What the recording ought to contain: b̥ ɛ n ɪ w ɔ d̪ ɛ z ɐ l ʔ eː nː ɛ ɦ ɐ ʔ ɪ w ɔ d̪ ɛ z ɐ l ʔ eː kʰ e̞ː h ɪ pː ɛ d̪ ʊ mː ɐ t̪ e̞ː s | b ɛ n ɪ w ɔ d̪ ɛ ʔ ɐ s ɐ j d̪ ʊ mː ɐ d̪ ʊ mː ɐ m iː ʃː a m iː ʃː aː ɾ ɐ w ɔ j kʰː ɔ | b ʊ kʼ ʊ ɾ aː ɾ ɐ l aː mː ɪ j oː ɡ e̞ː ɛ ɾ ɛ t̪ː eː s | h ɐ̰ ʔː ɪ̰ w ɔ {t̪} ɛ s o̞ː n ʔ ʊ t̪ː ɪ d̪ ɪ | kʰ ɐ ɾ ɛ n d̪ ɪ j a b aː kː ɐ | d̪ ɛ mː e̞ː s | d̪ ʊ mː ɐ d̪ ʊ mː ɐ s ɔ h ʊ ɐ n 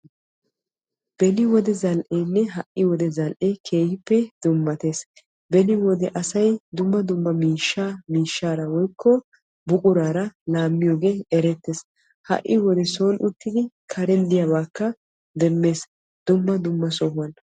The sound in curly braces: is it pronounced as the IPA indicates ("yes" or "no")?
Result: no